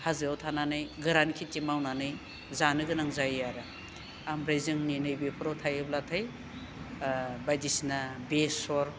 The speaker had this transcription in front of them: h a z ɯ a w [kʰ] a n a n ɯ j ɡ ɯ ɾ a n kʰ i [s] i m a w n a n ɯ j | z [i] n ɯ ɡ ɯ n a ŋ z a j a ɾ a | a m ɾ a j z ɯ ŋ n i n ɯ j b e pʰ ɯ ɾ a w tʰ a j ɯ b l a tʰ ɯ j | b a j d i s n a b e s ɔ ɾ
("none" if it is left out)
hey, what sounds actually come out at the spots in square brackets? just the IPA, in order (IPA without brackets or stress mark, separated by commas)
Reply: tʰ, t, a